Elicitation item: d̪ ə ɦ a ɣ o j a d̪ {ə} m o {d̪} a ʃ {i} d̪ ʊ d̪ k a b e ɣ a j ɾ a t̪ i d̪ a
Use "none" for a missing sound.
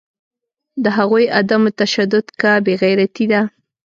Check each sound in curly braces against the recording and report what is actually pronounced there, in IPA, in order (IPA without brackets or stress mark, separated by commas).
a, t̪, a